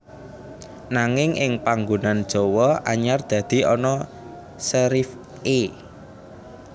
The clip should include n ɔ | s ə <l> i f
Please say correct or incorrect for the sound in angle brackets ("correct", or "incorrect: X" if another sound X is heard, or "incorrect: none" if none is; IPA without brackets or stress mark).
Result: incorrect: ɾ